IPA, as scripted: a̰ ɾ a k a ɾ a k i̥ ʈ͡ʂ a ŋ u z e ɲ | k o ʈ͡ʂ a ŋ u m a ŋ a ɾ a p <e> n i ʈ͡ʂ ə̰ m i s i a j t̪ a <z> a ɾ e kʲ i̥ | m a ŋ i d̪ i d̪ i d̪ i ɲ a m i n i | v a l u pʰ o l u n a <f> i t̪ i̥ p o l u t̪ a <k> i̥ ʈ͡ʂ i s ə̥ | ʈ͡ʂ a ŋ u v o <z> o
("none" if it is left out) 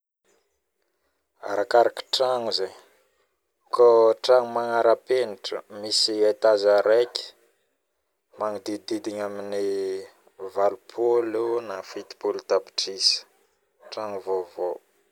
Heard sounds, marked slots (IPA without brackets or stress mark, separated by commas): e, z, f, p, v